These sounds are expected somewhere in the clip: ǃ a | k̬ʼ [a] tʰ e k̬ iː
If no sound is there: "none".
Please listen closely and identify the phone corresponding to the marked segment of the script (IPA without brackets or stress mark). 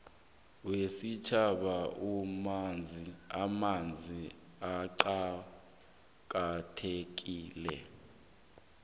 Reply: a